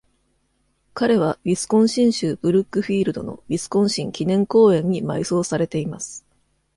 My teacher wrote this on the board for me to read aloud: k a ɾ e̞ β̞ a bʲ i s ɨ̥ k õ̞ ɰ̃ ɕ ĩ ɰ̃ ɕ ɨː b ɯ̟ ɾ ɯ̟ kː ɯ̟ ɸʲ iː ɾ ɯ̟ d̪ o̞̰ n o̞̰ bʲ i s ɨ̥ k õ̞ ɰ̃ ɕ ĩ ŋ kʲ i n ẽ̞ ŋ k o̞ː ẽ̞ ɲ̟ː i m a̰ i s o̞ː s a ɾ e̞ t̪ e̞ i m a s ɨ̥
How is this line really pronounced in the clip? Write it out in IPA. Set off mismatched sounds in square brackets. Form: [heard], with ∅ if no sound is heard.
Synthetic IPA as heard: k a ɾ e̞ β̞ a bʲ i s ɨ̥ k õ̞ ɰ̃ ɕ ĩ ɰ̃ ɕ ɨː b ɯ̟ ɾ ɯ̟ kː ɯ̟ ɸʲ iː ɾ ɯ̟ d̪ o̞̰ n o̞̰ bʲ i s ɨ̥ k õ̞ ɰ̃ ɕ ĩ ŋ kʲ i n ẽ̞ ŋ k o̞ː ẽ̞ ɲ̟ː i m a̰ i s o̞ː s a ɾ e̞ t̪ e̞ i m a s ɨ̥

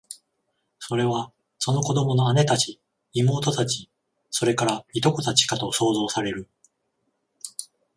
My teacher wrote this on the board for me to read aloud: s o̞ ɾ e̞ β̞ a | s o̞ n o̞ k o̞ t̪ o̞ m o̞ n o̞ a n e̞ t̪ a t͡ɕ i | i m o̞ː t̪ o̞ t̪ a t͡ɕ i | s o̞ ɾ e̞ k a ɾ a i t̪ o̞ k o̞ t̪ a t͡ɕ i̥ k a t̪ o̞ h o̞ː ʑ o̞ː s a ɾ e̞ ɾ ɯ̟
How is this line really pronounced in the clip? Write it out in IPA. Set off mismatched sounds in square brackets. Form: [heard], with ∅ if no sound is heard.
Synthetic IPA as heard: s o̞ ɾ e̞ β̞ a | s o̞ n o̞ k o̞ [d̪] o̞ m o̞ n o̞ a n e̞ t̪ a t͡ɕ i | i m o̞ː t̪ o̞ t̪ a t͡ɕ i | s o̞ ɾ e̞ k a ɾ a i t̪ o̞ k o̞ t̪ a t͡ɕ i̥ k a t̪ o̞ [s] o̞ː [z] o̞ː s a ɾ e̞ ɾ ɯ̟

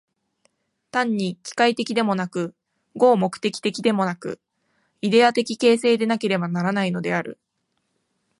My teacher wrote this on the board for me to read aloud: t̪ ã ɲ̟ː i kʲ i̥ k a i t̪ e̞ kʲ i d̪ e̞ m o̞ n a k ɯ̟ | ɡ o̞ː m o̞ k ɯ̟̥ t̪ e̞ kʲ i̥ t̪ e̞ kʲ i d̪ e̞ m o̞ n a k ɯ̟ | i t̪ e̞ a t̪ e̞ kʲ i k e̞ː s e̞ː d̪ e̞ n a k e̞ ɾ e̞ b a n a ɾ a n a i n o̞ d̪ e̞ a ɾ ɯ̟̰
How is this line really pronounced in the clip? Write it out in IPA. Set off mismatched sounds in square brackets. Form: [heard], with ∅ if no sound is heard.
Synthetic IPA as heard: t̪ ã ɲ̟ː i kʲ i̥ k a i t̪ e̞ kʲ i d̪ e̞ m o̞ n a k ɯ̟ | ɡ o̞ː m o̞ k ɯ̟̥ t̪ e̞ kʲ i̥ t̪ e̞ kʲ i d̪ e̞ m o̞ n a k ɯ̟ | i [d̪] e̞ a t̪ e̞ kʲ i k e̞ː s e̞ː d̪ e̞ n a k e̞ ɾ e̞ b a n a ɾ a n a i n o̞ d̪ e̞ a ɾ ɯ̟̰

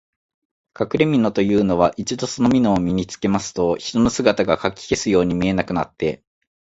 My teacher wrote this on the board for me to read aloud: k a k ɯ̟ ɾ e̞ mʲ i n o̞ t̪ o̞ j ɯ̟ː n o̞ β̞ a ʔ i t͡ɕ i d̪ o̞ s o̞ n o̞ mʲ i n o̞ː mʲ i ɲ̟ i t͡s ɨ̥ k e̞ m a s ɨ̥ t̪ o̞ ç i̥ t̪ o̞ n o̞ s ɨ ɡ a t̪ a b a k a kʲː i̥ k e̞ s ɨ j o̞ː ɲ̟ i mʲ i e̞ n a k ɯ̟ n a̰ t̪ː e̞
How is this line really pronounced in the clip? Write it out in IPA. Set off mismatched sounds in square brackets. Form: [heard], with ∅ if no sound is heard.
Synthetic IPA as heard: k a k ɯ̟ ɾ e̞ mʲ i n o̞ t̪ o̞ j ɯ̟ː n o̞ β̞ a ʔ i t͡ɕ i d̪ o̞ s o̞ n o̞ mʲ i n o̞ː mʲ i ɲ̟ i t͡s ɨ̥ k e̞ m a s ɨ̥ t̪ o̞ ç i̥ t̪ o̞ n o̞ s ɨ ɡ a t̪ a [ɡ] a k a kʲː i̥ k e̞ s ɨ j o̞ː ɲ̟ i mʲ i e̞ n a k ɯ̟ n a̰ t̪ː e̞

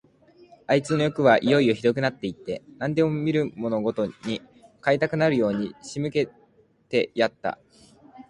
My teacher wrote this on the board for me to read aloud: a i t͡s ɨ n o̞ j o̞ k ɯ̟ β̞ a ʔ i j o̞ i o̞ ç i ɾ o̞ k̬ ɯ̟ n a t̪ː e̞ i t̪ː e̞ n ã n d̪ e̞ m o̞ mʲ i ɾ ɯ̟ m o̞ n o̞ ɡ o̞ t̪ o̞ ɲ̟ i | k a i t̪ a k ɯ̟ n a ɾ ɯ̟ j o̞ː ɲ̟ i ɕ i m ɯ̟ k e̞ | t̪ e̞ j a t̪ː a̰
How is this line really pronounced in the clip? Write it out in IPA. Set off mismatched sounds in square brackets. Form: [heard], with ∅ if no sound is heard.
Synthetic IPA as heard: a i t͡s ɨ n o̞ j o̞ k ɯ̟ β̞ a ʔ i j o̞ i o̞ ç i ɾ o̞ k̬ ɯ̟ n a t̪ː e̞ i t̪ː e̞ n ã n d̪ e̞ m o̞ mʲ i ɾ ɯ̟ m o̞ n o̞ ɡ o̞ t̪ o̞ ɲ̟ i | k a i t̪ a k ɯ̟ n a ɾ ɯ̟ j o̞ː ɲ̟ i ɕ i m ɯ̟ k e̞ | t̪ e̞ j a t̪ː a̰

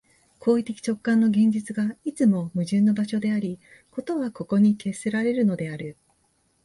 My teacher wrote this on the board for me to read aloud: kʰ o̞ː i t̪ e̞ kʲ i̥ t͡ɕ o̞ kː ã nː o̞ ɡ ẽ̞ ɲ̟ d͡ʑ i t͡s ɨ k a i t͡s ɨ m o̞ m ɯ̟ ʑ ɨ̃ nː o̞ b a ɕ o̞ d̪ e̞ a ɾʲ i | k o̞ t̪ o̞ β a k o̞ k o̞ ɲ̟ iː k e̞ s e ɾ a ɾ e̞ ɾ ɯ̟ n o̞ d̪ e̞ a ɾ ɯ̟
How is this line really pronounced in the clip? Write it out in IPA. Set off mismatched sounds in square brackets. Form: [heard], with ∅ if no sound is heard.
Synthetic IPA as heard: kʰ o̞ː i t̪ e̞ kʲ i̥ t͡ɕ o̞ kː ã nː o̞ ɡ ẽ̞ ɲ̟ d͡ʑ i t͡s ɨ [ɡ] a i t͡s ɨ m o̞ m ɯ̟ ʑ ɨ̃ nː o̞ b a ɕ o̞ d̪ e̞ a ɾʲ i | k o̞ t̪ o̞ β a k o̞ k o̞ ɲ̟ [i] k e̞ s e ɾ a ɾ e̞ ɾ ɯ̟ n o̞ d̪ e̞ a ɾ ɯ̟

